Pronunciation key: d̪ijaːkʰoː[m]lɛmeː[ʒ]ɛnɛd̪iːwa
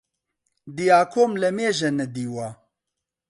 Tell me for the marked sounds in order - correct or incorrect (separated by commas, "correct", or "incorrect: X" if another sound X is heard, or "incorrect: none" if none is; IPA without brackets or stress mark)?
correct, correct